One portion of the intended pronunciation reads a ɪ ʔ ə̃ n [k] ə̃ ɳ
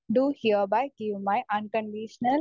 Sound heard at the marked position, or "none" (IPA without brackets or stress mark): k